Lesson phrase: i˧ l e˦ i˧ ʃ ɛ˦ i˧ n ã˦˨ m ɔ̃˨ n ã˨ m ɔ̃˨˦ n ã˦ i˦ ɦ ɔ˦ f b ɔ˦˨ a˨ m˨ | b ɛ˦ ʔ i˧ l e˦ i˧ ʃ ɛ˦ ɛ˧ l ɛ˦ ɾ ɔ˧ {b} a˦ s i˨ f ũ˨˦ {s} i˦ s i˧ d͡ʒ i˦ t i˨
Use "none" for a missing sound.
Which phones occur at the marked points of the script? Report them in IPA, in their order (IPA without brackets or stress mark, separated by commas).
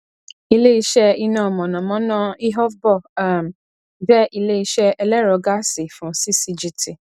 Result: ɡ, s